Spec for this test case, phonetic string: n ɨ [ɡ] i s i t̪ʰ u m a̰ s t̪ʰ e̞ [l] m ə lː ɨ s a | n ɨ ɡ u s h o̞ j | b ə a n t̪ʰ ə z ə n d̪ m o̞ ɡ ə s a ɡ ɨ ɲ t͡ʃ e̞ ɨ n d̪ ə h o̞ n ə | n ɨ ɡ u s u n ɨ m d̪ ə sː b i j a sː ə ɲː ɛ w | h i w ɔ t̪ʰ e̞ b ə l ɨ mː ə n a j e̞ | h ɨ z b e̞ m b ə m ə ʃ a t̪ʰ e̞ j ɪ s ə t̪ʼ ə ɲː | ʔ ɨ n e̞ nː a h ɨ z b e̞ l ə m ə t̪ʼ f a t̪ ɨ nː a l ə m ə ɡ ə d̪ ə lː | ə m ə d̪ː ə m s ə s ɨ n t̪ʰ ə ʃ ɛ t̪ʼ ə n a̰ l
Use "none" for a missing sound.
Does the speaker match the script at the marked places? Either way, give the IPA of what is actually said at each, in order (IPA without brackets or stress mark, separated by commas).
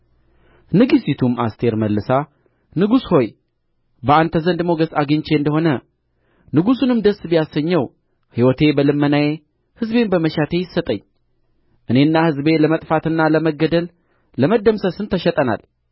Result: ɡ, ɾ